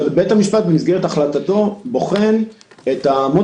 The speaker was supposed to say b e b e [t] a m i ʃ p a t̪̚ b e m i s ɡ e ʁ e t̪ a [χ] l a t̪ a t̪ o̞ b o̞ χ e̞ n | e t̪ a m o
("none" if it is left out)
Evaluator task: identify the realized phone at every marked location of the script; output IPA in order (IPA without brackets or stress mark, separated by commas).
t, χ